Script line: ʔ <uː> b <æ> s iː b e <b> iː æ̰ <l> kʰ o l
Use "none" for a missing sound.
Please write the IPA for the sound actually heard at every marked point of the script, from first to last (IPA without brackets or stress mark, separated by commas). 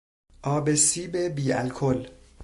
ɒː, e, b, l